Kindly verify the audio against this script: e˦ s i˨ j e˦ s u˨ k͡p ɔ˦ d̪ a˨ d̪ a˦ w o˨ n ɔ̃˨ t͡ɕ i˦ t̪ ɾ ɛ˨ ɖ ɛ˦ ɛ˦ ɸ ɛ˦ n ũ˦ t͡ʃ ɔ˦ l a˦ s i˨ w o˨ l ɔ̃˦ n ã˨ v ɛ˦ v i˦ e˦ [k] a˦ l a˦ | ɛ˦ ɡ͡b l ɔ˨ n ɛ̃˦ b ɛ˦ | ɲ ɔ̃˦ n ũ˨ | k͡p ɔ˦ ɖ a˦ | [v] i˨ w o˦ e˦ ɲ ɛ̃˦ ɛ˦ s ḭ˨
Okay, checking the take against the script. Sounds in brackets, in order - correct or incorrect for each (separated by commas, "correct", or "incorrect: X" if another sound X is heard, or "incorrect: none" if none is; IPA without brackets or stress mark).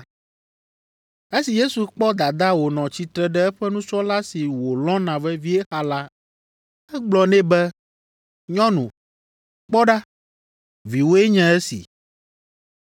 incorrect: x, correct